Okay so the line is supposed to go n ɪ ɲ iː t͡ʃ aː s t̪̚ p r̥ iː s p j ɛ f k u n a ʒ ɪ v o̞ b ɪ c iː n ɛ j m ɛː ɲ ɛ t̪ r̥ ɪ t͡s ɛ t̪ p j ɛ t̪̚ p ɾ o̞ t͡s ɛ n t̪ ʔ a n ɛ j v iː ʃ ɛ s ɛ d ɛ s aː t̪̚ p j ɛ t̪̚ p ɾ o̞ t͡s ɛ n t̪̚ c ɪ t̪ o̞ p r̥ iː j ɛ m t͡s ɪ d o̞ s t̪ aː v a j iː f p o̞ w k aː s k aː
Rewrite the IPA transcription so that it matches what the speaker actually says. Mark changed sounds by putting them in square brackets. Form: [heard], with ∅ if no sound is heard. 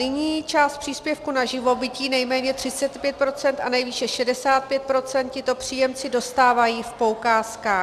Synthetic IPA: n ɪ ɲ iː t͡ʃ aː s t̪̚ p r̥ iː s p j ɛ f k u n a ʒ ɪ v o̞ b ɪ c iː n ɛ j m ɛː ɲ ɛ t̪ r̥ ɪ t͡s ɛ t̪ p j ɛ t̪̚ p ɾ o̞ t͡s ɛ n t̪ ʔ a n ɛ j v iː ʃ ɛ [ʃ] ɛ d ɛ s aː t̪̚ p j ɛ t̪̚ p ɾ o̞ t͡s ɛ n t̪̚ c ɪ t̪ o̞ p r̥ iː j ɛ m t͡s ɪ d o̞ s t̪ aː v a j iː f p o̞ w k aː s k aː